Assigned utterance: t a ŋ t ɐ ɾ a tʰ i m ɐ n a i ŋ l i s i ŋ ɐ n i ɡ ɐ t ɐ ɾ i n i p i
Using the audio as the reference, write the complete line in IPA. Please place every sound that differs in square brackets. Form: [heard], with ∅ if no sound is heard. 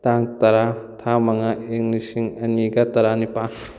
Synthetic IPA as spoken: t a ŋ t ɐ ɾ a tʰ [a] m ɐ [ŋ] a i ŋ l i s i ŋ ɐ n i ɡ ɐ t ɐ ɾ [a] n i p [a]

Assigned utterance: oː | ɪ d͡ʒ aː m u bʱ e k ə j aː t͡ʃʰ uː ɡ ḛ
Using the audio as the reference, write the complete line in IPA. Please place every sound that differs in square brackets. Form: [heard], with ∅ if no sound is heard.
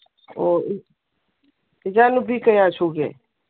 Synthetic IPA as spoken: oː | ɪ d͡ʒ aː [n] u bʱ [i] k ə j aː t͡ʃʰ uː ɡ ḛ

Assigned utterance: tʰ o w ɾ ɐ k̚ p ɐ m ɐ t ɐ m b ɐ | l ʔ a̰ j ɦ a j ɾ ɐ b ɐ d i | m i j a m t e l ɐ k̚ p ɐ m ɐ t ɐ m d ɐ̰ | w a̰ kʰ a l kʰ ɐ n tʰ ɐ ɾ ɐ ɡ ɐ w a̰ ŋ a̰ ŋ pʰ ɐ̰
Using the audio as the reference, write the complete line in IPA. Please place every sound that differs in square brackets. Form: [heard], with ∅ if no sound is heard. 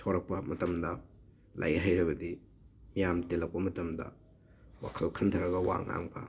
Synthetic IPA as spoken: tʰ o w ɾ ɐ k̚ p ɐ m ɐ t ɐ m [d] ɐ | l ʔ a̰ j ɦ a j ɾ ɐ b ɐ d i | m i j a m t e l ɐ k̚ p ɐ m ɐ t ɐ m d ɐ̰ | w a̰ kʰ [ɐ] l kʰ ɐ n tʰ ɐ ɾ ɐ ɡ ɐ w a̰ ŋ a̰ ŋ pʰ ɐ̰

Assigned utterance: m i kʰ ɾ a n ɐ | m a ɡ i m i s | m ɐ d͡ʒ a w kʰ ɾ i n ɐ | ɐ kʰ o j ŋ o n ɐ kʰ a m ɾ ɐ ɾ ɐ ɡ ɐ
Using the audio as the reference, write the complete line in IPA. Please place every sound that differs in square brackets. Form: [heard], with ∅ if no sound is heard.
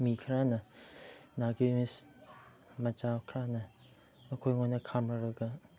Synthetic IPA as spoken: m i kʰ ɾ a n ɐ | [n] a ɡ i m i s | m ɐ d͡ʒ a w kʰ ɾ [a] n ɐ | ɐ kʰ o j ŋ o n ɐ kʰ a m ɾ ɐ ɾ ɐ ɡ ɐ

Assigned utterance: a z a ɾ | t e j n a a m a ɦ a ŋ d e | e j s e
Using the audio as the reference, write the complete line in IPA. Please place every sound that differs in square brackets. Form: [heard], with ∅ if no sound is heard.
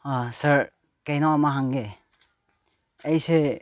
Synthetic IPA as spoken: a [s] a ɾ | [k] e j n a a m a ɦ a ŋ [ɡ] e | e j s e

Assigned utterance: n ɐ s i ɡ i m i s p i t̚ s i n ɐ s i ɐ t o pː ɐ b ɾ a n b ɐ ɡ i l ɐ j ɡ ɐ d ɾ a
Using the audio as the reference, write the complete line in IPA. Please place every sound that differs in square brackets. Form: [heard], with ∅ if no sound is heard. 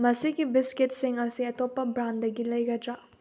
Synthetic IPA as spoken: [m] ɐ s i ɡ i [b] i s [k] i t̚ s i [ŋ] ɐ s i ɐ t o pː ɐ b ɾ a n [d] ɐ ɡ i l ɐ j ɡ ɐ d ɾ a

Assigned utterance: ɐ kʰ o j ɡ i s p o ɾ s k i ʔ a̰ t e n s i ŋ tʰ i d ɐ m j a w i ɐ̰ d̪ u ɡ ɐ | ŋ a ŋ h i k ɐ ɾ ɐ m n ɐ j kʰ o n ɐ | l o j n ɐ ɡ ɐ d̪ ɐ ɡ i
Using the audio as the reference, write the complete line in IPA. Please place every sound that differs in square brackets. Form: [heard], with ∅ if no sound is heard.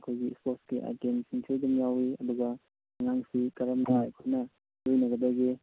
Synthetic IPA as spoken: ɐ kʰ o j ɡ i s p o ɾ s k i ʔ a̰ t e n s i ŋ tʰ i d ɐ m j a w i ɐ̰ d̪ u ɡ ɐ | ŋ a ŋ [s] i k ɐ ɾ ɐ m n [a] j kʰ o n ɐ | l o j n ɐ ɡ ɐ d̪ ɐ ɡ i

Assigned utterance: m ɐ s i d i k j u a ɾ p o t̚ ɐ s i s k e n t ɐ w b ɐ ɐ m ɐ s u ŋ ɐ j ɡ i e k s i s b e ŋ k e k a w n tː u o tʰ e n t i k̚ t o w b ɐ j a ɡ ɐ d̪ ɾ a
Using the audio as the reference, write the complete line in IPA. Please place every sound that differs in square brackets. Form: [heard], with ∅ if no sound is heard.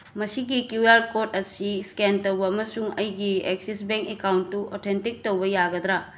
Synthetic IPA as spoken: m ɐ s i [ɡ] i k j u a ɾ [k] o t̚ ɐ s i s k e n t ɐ w b ɐ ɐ m ɐ s u ŋ ɐ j ɡ i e k s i s b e ŋ k e k a w n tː u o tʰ e n t i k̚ t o w b ɐ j a ɡ ɐ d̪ ɾ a

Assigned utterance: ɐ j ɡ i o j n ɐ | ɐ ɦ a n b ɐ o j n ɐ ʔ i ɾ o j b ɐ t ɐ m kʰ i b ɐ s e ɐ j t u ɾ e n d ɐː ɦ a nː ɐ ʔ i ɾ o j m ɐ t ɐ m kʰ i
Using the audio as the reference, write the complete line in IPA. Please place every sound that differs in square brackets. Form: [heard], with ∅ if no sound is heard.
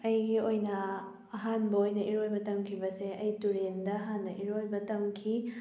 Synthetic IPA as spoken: ɐ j ɡ i o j n ɐ | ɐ ɦ a n b ɐ o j n ɐ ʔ i ɾ o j b ɐ t ɐ m kʰ i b ɐ s e ɐ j t u ɾ e n d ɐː ɦ a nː ɐ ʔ i ɾ o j [b] ɐ t ɐ m kʰ i

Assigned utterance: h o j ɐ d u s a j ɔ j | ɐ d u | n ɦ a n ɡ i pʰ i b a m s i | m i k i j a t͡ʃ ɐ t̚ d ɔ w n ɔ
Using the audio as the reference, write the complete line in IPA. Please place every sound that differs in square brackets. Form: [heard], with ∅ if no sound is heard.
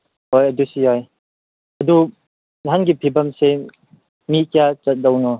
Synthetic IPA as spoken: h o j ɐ d u s [i] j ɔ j | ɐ d u | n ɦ a n ɡ i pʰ i b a m s [e] | m i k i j a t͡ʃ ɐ t̚ d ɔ w n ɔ

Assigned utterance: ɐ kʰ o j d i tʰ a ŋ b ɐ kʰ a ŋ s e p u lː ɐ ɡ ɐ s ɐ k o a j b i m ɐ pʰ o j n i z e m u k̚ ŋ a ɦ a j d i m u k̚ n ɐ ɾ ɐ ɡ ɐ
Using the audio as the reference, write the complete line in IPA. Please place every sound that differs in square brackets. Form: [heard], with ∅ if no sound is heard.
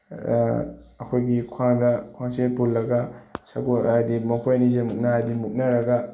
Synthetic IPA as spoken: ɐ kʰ o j [ɡ] i [kʰ] a ŋ [d] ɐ kʰ a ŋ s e p u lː ɐ ɡ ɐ s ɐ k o a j [d] i m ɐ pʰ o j n i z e m u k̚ [n] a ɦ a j d i m u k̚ n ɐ ɾ ɐ ɡ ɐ

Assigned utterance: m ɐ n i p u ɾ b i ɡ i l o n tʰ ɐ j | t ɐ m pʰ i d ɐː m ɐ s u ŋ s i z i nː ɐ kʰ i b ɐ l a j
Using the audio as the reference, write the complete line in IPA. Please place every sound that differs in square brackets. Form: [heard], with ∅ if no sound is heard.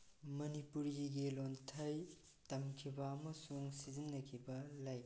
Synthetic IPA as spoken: m ɐ n i p u ɾ [ɡ] i ɡ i l o n tʰ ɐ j | t ɐ m [kʰ] i [b] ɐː m ɐ s u ŋ s i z i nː ɐ kʰ i b ɐ l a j

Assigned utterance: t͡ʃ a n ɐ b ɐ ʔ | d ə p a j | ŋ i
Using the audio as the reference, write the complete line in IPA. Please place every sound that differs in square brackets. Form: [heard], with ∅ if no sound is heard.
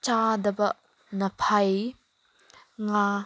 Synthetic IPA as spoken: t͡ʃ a [d] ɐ b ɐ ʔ | [n] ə [pʰ] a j | ŋ [a]

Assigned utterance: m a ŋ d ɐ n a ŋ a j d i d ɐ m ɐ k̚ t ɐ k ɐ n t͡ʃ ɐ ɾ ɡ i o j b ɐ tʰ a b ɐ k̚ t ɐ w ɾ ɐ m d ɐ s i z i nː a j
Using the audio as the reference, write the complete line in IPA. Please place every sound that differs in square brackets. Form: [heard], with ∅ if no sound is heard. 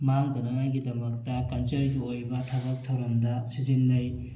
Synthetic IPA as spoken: m a ŋ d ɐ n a ŋ a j [ɡ] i d ɐ m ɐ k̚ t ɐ k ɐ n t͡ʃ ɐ ɾ ɡ i o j b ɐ tʰ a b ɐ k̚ [tʰ] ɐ w ɾ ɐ m d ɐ s i z i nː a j

